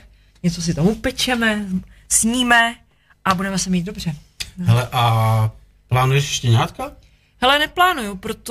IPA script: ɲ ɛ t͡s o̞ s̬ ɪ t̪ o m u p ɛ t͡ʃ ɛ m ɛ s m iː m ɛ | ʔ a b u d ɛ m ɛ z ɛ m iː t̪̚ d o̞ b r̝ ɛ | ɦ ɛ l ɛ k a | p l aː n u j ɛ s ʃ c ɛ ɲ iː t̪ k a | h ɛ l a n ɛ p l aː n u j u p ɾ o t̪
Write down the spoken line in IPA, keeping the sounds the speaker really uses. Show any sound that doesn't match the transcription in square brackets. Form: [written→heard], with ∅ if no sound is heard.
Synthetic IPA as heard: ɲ ɛ t͡s o̞ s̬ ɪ t̪ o m u p ɛ t͡ʃ ɛ m ɛ s [m→ɲ] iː m ɛ | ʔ a b u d ɛ m ɛ [z→s] ɛ m iː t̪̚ d o̞ b r̝ ɛ | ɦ ɛ l ɛ [k→ʔ] a | p l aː n u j ɛ [s→ʃ] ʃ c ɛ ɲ [iː→aː] t̪ k a | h ɛ l [a→ɛ] n ɛ p l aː n u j u p ɾ o t̪